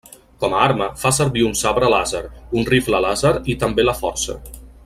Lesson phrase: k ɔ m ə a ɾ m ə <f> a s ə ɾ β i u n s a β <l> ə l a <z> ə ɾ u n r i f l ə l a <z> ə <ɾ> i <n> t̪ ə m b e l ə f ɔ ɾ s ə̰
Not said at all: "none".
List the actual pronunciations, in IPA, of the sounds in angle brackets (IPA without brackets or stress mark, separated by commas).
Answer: f, ɾ, z, z, ɾ, none